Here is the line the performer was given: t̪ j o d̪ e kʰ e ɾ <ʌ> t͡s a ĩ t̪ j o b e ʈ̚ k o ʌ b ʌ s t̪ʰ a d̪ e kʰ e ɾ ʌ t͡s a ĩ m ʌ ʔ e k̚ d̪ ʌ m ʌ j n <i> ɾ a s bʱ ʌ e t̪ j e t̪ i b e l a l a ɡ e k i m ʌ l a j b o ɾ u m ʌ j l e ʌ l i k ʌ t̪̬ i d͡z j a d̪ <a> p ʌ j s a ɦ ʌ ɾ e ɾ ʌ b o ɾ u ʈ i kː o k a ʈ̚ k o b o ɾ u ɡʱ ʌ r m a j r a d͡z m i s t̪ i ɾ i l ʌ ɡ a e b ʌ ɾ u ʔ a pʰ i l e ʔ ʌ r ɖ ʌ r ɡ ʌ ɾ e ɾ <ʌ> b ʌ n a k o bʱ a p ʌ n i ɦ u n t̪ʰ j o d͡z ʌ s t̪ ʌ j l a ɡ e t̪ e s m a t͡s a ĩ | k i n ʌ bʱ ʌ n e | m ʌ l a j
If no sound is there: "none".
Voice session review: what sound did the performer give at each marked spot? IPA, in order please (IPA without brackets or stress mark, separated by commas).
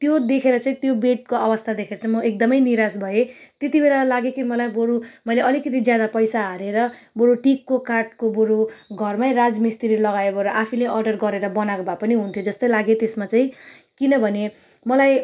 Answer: ʌ, i, a, ʌ